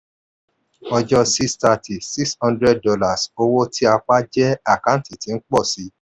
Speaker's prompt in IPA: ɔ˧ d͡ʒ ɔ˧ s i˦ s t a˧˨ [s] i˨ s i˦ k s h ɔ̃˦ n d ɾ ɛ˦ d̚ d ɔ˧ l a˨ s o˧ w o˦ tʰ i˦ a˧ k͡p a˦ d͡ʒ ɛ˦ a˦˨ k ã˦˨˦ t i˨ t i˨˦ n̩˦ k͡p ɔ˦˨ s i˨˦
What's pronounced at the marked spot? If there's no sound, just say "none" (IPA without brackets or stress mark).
t